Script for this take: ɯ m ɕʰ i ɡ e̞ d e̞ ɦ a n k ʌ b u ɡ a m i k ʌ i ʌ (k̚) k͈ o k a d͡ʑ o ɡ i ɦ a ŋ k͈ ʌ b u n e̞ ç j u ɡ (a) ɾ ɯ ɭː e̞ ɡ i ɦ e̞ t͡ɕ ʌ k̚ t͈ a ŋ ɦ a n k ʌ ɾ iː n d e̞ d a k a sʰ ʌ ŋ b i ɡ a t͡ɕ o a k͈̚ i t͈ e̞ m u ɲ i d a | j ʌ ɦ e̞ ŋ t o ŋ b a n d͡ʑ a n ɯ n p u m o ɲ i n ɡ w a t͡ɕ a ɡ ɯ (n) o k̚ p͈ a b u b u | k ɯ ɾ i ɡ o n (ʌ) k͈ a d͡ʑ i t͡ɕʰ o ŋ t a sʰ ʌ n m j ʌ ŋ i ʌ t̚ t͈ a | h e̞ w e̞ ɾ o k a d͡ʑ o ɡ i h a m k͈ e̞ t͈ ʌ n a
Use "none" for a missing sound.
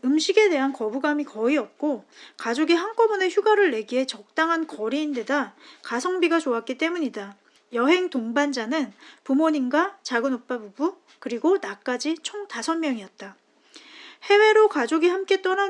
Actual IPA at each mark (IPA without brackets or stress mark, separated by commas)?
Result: p̚, a, n, a